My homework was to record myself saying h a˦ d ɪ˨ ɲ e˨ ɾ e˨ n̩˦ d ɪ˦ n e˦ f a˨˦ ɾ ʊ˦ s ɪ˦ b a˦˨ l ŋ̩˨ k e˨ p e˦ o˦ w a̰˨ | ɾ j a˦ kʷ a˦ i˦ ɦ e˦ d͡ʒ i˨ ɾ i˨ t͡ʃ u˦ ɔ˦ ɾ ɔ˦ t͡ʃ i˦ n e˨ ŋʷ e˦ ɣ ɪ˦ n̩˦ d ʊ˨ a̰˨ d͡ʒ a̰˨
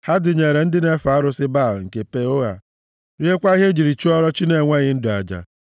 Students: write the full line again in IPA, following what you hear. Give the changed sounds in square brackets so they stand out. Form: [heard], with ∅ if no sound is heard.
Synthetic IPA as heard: h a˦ d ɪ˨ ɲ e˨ ɾ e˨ n̩˦ d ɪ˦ n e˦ f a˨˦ ɾ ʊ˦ s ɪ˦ b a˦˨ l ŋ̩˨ k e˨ p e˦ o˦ [ɣ] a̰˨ | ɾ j [e˦] kʷ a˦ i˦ ɦ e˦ d͡ʒ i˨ ɾ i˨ t͡ʃ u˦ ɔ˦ ɾ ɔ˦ t͡ʃ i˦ n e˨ ŋʷ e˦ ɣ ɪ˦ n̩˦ d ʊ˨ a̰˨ d͡ʒ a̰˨